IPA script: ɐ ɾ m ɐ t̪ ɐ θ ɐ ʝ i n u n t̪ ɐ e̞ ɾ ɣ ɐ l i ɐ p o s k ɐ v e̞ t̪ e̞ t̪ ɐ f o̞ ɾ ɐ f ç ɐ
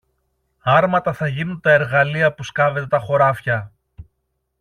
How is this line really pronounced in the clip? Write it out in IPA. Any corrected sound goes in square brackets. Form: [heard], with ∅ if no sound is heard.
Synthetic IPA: ɐ ɾ m ɐ t̪ ɐ θ ɐ ʝ i n u n t̪ ɐ e̞ ɾ ɣ ɐ l i ɐ p [u] s k ɐ v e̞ t̪ e̞ t̪ ɐ [x] o̞ ɾ ɐ f ç ɐ